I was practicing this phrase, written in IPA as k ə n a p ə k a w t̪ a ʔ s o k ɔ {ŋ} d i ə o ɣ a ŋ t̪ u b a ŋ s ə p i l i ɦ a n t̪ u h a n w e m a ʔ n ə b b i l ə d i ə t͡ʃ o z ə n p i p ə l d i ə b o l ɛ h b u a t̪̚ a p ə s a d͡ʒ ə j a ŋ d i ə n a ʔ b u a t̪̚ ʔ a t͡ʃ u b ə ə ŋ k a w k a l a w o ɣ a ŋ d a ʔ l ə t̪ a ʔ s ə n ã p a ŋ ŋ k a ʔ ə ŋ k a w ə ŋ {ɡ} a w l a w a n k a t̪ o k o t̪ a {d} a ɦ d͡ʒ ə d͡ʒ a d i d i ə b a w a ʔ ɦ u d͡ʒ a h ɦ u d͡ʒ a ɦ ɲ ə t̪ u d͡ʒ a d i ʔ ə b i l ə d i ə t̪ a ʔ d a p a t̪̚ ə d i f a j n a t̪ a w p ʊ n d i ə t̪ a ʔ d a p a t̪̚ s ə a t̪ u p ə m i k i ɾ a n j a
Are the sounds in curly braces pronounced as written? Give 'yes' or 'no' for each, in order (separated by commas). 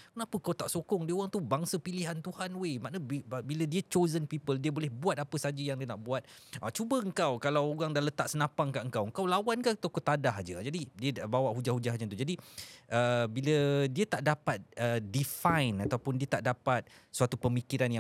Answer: yes, no, yes